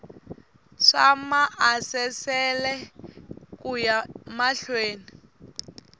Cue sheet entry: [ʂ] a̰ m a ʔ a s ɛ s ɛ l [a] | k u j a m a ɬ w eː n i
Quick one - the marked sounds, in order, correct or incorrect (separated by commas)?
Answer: correct, incorrect